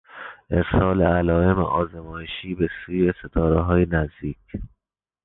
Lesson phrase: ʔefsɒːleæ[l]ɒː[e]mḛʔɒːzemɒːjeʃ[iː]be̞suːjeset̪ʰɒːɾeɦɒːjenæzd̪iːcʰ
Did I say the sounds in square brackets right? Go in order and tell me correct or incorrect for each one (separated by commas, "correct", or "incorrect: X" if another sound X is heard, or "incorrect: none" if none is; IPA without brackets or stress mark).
correct, correct, correct